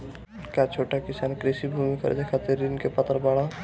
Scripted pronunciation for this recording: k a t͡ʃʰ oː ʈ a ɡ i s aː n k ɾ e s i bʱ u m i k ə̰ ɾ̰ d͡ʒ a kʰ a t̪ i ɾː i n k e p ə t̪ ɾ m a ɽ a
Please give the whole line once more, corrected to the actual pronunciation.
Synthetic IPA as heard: k a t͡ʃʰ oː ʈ a k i s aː n k ɾ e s i bʱ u m i k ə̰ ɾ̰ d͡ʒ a kʰ a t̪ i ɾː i n k e p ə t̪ ɾ b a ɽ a